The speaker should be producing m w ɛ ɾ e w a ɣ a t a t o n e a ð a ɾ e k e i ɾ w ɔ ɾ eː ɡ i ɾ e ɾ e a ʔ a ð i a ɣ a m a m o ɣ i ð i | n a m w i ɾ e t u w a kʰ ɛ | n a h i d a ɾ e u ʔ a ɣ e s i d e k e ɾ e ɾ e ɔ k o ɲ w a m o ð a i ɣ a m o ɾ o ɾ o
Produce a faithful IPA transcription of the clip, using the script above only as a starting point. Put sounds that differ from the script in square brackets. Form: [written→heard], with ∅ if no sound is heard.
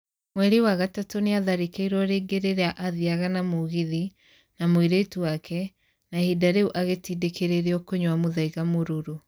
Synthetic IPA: m w ɛ ɾ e w a ɣ a t a t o n e a ð a ɾ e k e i ɾ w ɔ ɾ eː ɡ [i→e] ɾ e ɾ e a ʔ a ð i a ɣ a [m→n] a m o ɣ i ð i | n a m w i ɾ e t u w a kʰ ɛ | n a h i d a ɾ e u ʔ a ɣ e [s→t] i d e k e ɾ e ɾ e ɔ k o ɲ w a m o ð a i ɣ a m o ɾ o ɾ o

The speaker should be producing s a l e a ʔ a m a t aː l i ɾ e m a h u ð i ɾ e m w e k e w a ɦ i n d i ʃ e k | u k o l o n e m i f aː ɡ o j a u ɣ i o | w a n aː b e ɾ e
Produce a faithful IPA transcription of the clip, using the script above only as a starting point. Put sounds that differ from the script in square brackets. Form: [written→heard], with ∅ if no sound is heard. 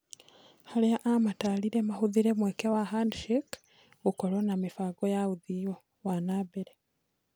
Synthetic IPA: [s→h] a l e a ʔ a m a t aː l i ɾ e m a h u ð i ɾ e m w e k e w a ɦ [i→a] n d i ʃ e k | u k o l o n [e→a] m i f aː ɡ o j a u [ɣ→ð] i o | w a n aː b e ɾ e

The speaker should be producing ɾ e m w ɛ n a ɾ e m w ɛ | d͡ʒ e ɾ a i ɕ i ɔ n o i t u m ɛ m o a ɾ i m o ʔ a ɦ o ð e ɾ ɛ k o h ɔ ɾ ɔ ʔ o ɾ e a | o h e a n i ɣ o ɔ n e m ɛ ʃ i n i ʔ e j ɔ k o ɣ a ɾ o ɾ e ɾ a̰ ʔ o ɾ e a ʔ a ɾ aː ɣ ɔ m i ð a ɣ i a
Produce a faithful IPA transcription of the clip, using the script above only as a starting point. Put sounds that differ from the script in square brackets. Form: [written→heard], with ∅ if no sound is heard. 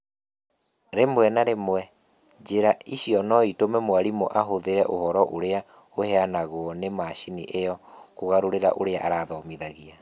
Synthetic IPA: ɾ e m w ɛ n a ɾ e m w ɛ | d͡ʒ e ɾ a i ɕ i ɔ n [o→ɔ] i t [u→o] m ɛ m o a ɾ i m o ʔ a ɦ o ð e ɾ ɛ [k→ʔ] o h ɔ ɾ ɔ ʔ o ɾ e a | o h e a n [i→a] ɣ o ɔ n e m [ɛ→a] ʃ i n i ʔ e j ɔ k o ɣ a ɾ o ɾ e ɾ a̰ ʔ o ɾ e a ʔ a ɾ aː [ɣ→ð] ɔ m i ð a ɣ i a

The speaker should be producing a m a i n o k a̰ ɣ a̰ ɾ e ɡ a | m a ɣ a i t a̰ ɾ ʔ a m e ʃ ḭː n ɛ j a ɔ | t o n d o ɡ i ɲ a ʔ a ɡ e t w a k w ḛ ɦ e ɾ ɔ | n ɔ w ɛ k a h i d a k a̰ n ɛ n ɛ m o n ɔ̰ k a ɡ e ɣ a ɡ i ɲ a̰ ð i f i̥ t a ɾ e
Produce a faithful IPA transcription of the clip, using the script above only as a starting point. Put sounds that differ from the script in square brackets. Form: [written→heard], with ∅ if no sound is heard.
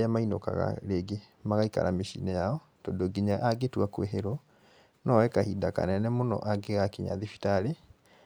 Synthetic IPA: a m a i n o k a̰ ɣ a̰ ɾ e ɡ [a→e] | m a ɣ a i [t→k] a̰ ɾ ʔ a m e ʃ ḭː n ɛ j a ɔ | t o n d o ɡ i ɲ a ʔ a ɡ e t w a k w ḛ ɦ e ɾ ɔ | n ɔ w ɛ k a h i d a k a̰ n ɛ n ɛ m o n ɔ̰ [k→ʔ] a ɡ e ɣ a [ɡ→k] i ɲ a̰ ð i f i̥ t a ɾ e

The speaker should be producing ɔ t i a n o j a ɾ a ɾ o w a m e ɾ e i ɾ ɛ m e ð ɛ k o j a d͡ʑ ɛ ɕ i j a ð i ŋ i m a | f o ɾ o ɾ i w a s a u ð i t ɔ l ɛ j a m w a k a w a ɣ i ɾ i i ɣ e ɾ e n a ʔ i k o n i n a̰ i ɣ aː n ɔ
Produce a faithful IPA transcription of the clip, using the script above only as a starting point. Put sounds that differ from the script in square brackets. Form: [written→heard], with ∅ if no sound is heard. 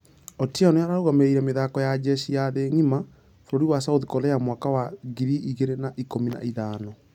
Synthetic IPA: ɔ t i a n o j a ɾ a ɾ o [w→ɣ] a m e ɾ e i ɾ ɛ m e ð [ɛ→a] k [o→ɔ] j a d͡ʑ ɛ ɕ i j a ð [i→e] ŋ i m a | f o ɾ o ɾ i w a s a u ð i [t→k] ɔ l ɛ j a m w a k a w a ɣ i ɾ i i ɣ e ɾ e n a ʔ i k o [n→m] i n a̰ i [ɣ→ð] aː n ɔ

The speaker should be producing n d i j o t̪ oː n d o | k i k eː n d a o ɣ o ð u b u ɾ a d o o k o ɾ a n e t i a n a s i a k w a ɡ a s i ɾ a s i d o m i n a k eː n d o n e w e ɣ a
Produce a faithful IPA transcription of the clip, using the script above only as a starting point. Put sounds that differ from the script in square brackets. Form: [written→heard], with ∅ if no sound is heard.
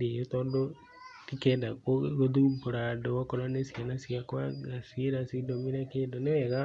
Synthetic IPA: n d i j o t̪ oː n d o | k i k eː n d a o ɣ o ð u b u ɾ a d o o k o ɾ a n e [t→s] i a n a s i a k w a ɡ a s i ɾ a s i d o m i n a k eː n d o n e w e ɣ a

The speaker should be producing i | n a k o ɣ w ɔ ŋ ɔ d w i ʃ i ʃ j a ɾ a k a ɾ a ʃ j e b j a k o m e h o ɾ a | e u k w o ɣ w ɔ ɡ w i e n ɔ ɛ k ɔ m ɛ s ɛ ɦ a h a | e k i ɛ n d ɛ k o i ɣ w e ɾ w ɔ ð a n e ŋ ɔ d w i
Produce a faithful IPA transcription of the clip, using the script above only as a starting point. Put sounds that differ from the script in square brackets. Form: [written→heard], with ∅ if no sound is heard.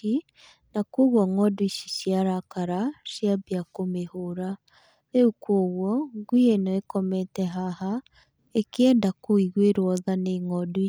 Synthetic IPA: i | n a k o ɣ w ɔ ŋ ɔ d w i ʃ i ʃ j a ɾ a k a ɾ a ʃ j [e→a] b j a k o m e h o ɾ a | e u k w o ɣ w ɔ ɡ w i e n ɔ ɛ k ɔ m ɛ [s→t] ɛ ɦ a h a | e k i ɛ n d [ɛ→a] k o i ɣ w e ɾ w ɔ ð a n e ŋ ɔ d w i

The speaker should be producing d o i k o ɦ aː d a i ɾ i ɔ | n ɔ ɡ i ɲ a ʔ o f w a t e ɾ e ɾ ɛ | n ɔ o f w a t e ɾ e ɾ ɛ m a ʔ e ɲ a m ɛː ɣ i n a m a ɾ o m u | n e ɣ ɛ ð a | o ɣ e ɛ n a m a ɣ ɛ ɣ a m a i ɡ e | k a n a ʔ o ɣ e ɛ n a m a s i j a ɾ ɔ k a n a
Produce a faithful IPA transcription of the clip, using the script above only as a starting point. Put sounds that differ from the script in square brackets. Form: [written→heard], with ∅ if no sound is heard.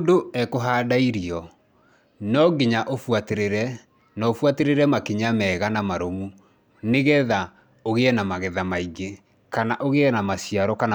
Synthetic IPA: d o [i→ɛ] k o ɦ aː d a i ɾ i ɔ | n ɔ ɡ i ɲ a ʔ o f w a t e ɾ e ɾ ɛ | n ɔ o f w a t e ɾ e ɾ ɛ m a [ʔ→k] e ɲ a m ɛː ɣ [i→a] n a m a ɾ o m u | n e ɣ ɛ ð a | o ɣ e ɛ n a m a ɣ ɛ [ɣ→ð] a m a i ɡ e | k a n a ʔ o ɣ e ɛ n a m a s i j a ɾ ɔ k a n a

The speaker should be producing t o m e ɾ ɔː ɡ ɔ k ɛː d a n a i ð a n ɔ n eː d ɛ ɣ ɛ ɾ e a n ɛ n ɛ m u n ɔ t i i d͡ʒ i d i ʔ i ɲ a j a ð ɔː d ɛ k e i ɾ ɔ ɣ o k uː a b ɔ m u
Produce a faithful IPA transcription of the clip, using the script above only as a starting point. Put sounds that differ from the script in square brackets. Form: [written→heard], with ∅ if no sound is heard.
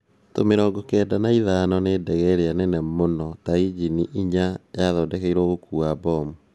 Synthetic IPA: t o m e ɾ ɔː ɡ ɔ k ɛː d a n a i ð a n ɔ n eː d ɛ ɣ ɛ ɾ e a n ɛ n ɛ m [u→o] n ɔ t [i→a] i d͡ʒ i [d→n] i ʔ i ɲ a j a ð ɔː d ɛ k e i ɾ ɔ ɣ o k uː a b ɔ m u

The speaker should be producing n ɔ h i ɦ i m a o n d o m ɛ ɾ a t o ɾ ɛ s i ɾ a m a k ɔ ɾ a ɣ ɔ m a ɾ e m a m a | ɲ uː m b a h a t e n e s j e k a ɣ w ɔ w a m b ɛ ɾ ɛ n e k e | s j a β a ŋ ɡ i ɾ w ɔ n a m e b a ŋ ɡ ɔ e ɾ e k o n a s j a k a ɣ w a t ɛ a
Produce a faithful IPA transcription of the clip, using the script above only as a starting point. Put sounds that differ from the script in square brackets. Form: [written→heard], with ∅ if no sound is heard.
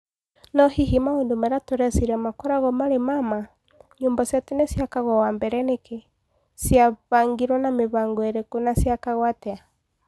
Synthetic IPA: n ɔ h i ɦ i m a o n d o m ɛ ɾ a t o ɾ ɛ s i ɾ a m a k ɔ ɾ a ɣ ɔ m a ɾ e m a m a | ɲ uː m b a [h→s] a t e n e s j [e→a] k a ɣ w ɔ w a m b ɛ ɾ ɛ n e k e | s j a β a ŋ ɡ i ɾ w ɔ n a m e [b→β] a ŋ ɡ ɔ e ɾ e k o n a s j a k a ɣ w a t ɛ a

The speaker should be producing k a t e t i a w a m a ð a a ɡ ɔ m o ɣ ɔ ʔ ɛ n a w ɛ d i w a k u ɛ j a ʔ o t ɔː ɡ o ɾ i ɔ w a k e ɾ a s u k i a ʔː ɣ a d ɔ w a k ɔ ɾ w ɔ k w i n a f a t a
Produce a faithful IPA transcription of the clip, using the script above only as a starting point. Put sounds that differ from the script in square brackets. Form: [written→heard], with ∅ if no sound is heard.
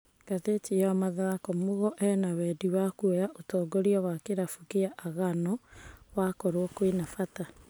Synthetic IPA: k a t e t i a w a m a ð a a [ɡ→k] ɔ m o ɣ ɔ ʔ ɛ n a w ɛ d i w a k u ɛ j a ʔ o t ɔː ɡ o ɾ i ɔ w a k e ɾ a [s→f] u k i a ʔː ɣ a [d→n] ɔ w a k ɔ ɾ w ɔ k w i n a f a t a

